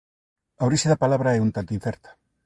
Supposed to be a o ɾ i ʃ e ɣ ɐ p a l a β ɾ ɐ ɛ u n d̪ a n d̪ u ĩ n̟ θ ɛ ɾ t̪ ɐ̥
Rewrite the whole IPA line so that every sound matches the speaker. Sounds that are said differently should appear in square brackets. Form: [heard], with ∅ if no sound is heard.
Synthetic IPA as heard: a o ɾ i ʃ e [ð] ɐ p a l a β ɾ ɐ ɛ u n [t̪] a n [t̪] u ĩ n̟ θ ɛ ɾ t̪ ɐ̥